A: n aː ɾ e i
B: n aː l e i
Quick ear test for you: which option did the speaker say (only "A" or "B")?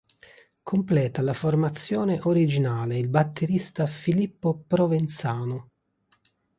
B